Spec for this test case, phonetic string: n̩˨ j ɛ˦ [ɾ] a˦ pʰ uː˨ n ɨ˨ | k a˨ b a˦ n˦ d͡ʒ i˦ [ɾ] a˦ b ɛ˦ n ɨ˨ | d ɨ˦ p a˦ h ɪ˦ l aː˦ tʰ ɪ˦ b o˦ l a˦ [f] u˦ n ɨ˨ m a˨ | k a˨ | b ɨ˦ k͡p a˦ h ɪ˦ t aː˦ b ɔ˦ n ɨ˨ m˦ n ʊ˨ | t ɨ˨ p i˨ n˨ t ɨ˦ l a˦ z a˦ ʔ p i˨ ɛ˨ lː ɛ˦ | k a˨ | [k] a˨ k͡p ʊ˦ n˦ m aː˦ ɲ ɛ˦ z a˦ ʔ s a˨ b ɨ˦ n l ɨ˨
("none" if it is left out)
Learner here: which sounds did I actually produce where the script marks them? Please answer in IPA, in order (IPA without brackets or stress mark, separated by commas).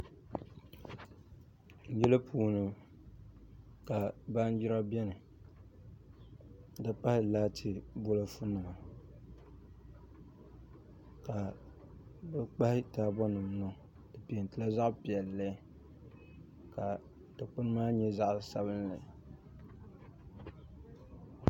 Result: l, ɾ, f, t